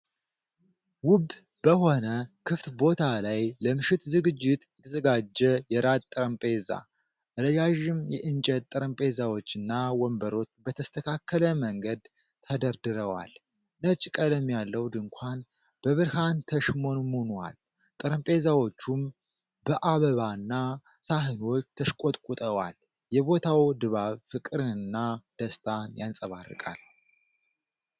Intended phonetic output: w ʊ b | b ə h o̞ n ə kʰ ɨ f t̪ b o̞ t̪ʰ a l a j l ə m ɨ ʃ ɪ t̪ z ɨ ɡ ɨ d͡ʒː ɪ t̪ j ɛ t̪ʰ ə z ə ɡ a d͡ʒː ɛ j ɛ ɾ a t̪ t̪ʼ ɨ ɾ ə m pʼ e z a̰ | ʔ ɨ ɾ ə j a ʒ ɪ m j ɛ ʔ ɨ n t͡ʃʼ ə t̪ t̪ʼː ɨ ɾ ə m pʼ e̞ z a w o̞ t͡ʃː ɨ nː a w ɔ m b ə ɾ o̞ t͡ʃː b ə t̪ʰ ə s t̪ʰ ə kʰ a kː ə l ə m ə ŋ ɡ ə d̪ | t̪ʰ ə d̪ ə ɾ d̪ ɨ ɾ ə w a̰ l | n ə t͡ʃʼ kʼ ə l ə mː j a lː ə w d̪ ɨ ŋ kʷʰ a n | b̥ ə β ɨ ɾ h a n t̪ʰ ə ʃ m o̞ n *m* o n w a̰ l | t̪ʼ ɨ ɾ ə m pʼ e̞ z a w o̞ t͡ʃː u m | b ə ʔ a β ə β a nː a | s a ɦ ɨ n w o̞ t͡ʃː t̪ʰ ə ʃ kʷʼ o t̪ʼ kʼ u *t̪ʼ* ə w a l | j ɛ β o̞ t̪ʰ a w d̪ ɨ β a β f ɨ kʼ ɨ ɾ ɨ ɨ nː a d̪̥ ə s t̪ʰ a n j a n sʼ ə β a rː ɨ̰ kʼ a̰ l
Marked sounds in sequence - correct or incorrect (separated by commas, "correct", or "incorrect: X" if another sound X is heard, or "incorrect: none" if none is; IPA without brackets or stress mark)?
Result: correct, correct